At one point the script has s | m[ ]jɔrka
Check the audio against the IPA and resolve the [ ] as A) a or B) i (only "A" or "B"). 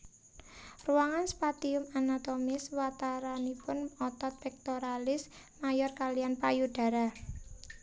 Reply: A